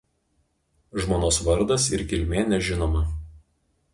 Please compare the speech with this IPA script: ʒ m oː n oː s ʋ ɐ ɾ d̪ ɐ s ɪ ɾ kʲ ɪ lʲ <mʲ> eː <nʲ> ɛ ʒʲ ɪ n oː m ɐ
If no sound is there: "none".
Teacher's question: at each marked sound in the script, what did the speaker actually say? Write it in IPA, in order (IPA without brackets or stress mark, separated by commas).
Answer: mʲ, nʲ